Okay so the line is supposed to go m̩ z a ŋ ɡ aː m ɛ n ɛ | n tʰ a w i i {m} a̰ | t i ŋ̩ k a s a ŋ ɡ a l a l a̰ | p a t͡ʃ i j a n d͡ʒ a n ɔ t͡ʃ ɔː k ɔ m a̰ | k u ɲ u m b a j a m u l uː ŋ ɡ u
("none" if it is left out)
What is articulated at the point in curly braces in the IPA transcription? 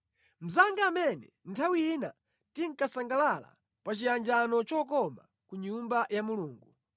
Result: n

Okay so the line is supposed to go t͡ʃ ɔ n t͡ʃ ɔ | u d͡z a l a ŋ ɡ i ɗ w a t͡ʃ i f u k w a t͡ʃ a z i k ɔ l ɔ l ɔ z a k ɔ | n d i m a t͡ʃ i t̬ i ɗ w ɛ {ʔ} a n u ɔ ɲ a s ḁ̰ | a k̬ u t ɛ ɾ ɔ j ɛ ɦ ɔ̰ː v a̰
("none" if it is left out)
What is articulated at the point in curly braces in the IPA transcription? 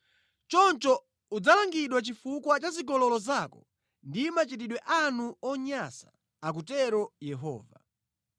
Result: ʔ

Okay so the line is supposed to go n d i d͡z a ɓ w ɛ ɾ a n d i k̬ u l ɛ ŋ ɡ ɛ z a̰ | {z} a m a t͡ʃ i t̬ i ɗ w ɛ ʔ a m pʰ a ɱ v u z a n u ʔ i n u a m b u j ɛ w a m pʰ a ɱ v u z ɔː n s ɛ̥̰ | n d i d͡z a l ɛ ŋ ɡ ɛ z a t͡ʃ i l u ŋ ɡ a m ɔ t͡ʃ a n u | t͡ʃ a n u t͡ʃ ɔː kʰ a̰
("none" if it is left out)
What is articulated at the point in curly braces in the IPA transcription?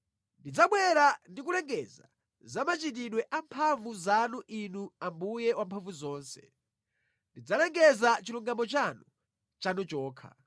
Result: z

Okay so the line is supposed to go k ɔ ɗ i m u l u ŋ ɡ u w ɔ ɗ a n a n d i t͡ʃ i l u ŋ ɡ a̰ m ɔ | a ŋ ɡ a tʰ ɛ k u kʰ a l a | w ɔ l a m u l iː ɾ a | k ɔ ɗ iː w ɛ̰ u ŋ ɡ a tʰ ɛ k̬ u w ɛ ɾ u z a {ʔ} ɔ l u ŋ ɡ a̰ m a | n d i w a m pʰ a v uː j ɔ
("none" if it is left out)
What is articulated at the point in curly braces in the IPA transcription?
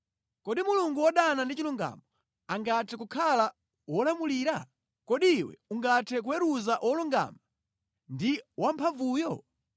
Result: ʔ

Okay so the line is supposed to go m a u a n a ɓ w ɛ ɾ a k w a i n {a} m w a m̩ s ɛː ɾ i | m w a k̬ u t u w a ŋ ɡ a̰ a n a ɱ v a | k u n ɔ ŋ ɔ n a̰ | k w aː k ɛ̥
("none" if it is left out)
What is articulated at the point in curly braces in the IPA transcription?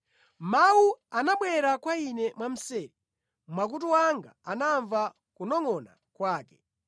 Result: ɛ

